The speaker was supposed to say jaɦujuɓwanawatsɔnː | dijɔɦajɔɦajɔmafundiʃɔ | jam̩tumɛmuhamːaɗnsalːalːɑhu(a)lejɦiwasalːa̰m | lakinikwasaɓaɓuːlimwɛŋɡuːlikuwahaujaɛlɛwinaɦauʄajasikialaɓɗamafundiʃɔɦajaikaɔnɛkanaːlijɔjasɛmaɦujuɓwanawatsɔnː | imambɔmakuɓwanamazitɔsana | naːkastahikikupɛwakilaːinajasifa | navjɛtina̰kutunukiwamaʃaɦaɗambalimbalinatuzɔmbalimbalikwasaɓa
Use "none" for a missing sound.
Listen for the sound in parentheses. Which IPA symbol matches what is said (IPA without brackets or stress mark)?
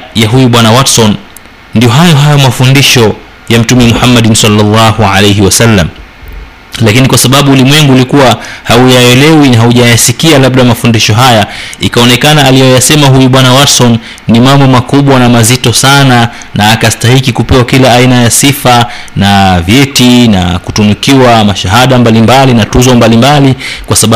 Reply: a